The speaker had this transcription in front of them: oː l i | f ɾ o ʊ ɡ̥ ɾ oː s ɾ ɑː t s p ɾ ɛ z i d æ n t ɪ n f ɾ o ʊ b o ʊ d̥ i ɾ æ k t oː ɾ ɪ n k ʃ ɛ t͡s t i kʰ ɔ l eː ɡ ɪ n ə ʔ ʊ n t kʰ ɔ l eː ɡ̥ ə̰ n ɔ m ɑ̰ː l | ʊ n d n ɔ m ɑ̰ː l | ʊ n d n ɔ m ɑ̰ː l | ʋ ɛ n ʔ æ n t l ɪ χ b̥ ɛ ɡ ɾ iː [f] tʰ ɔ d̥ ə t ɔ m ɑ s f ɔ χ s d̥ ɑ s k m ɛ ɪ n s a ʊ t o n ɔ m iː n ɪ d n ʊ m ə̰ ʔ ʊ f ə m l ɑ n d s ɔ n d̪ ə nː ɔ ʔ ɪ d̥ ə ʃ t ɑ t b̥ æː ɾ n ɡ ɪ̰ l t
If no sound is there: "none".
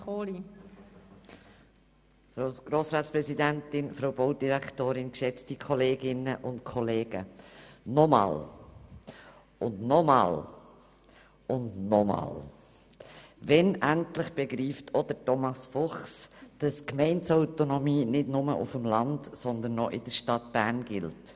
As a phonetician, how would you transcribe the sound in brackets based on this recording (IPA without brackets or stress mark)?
f